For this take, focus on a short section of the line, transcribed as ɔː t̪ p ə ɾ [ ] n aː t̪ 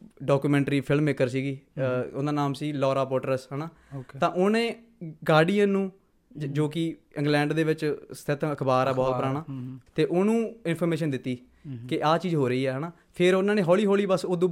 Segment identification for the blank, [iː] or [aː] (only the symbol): aː